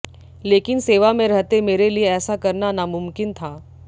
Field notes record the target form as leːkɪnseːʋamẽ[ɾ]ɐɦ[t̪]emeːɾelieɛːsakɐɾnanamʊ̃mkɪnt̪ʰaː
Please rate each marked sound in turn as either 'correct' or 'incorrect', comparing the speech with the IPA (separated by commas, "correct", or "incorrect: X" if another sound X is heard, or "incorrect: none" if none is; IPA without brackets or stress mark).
correct, correct